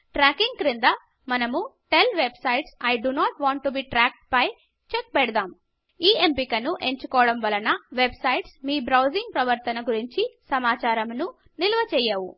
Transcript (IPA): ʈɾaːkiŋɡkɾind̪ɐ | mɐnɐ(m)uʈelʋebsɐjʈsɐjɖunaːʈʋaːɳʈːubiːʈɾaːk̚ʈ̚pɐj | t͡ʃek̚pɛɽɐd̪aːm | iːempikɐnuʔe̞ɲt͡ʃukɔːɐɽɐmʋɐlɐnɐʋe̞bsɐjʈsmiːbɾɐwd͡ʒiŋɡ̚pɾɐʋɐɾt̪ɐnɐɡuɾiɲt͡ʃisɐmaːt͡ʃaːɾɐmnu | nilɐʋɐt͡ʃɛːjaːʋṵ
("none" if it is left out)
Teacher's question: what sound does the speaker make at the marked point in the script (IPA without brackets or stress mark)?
m